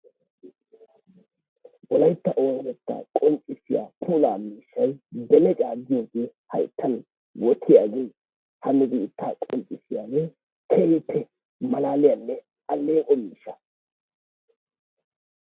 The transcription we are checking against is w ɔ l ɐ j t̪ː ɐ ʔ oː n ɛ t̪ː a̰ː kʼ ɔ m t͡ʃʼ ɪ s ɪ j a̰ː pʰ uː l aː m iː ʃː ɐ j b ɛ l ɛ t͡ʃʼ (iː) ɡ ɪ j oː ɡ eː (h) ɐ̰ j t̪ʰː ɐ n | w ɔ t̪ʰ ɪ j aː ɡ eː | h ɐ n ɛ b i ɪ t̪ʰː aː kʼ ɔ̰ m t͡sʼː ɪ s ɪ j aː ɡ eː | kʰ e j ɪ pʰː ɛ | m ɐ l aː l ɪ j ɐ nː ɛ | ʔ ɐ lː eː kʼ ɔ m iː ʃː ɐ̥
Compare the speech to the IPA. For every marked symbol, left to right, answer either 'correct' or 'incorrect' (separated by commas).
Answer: incorrect, correct